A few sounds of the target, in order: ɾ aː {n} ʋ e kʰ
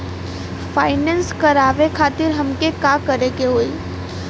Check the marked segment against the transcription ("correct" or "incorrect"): incorrect